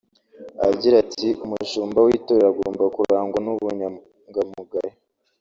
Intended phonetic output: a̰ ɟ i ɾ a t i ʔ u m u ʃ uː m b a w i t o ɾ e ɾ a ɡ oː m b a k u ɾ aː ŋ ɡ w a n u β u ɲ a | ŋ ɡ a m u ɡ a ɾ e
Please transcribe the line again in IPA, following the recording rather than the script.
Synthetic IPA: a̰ ɟ i ɾ a t i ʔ u m u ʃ uː m b a w i t o ɾ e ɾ a ɡ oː m b a k u ɾ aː ŋ ɡ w a n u β u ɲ a | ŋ ɡ a m u ɡ a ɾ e